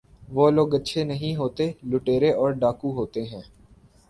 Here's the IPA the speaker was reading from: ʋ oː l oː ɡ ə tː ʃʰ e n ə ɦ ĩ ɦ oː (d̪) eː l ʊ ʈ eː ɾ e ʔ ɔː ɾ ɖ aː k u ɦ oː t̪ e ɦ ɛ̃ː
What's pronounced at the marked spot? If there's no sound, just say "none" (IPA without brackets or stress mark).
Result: t̪